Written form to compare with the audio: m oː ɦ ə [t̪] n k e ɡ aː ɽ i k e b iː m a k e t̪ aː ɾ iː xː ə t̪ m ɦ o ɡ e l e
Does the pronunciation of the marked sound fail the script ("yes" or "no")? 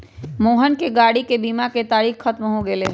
yes